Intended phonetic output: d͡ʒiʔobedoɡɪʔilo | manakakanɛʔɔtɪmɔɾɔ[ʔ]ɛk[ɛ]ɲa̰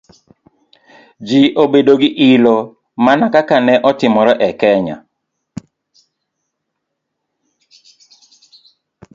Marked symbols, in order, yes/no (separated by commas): yes, yes